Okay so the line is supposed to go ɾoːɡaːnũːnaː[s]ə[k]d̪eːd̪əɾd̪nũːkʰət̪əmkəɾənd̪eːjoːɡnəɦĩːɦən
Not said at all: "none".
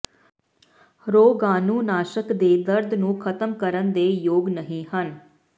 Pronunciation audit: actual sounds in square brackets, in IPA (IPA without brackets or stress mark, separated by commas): ʃ, k